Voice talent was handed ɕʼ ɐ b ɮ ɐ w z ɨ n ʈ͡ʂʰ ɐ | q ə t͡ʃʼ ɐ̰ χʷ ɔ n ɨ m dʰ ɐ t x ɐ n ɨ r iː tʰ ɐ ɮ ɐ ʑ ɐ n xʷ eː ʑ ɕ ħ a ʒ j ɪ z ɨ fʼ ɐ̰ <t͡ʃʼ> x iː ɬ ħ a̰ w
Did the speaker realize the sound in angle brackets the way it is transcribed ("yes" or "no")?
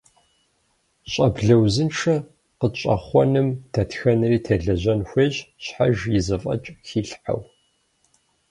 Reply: yes